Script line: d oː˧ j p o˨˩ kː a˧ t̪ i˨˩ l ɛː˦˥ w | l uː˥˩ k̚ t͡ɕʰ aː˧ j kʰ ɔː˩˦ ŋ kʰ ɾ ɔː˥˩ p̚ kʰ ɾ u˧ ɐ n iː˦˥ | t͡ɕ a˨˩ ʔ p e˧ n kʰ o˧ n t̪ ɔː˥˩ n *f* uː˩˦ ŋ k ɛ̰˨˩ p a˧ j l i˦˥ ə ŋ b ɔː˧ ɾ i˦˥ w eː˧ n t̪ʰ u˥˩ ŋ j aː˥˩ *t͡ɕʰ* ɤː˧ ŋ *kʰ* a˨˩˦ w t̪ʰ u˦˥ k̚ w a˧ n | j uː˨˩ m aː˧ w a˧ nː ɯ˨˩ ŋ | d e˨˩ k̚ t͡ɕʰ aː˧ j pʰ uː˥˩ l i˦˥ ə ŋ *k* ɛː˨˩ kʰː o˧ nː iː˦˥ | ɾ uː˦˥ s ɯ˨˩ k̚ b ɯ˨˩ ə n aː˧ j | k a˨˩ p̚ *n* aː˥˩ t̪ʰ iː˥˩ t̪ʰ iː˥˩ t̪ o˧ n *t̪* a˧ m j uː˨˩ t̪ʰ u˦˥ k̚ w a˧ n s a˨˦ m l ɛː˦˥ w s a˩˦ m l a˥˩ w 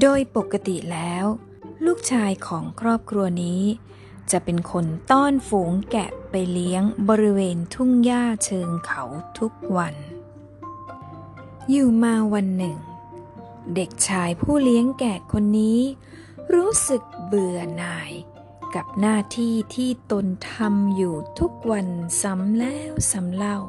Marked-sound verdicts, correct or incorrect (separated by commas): correct, correct, correct, correct, correct, incorrect